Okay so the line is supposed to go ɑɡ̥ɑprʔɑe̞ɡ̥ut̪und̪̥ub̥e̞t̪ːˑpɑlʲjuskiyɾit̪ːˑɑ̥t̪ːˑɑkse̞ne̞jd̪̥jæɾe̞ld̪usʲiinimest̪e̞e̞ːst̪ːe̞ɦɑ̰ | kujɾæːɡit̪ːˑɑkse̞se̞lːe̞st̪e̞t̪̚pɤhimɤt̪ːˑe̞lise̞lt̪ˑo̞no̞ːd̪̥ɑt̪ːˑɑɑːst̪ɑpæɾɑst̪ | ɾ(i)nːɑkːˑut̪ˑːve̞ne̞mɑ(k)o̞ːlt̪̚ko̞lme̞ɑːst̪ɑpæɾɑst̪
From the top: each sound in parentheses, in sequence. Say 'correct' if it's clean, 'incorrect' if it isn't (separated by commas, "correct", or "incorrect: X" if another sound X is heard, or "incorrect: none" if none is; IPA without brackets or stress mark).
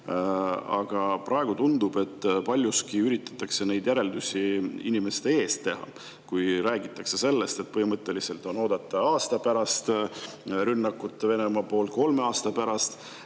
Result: incorrect: y, incorrect: p